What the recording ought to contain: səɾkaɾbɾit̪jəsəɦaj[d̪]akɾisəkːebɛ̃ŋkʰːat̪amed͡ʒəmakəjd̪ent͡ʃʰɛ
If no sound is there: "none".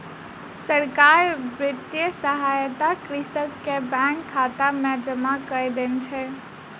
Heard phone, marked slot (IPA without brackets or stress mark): t̪